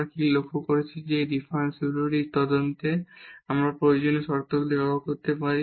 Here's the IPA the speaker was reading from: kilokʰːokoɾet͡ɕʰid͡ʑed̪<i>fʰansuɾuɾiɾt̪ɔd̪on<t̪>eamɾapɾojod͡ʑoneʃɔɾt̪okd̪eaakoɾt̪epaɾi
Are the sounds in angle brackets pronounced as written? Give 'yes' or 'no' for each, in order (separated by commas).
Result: yes, yes